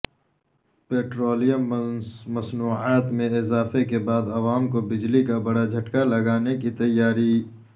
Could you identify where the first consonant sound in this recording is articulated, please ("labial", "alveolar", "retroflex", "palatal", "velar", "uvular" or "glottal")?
labial